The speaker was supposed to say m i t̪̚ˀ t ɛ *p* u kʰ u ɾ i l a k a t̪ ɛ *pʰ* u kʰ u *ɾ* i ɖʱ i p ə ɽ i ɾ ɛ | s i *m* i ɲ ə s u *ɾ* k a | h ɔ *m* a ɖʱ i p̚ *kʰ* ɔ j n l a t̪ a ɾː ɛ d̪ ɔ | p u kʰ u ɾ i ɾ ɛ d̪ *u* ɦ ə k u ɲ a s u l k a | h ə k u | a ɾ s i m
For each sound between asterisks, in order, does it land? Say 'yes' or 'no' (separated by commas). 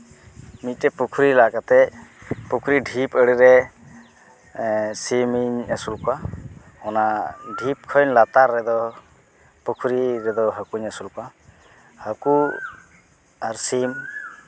yes, no, yes, yes, no, no, yes, no